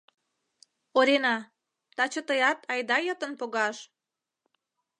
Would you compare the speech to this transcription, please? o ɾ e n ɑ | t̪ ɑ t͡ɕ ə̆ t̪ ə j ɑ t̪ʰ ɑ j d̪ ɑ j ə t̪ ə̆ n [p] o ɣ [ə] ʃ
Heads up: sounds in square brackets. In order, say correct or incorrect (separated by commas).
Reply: correct, incorrect